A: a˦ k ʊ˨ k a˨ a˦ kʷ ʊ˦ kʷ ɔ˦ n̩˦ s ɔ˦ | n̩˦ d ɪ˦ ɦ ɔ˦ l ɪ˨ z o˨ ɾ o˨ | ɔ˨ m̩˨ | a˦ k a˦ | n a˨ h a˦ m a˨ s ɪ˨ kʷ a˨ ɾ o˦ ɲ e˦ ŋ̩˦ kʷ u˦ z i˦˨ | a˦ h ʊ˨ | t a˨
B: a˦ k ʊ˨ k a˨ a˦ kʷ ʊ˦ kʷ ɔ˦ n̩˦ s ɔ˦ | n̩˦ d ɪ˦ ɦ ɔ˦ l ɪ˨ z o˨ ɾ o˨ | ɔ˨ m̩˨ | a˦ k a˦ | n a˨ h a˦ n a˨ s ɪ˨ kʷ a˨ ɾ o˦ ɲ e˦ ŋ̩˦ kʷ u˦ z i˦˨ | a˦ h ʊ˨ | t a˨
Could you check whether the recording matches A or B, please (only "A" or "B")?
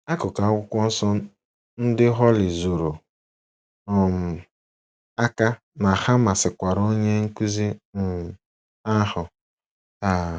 A